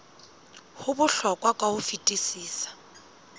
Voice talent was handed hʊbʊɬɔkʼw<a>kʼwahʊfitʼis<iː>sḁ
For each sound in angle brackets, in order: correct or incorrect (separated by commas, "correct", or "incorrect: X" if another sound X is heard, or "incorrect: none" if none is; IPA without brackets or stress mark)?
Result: correct, correct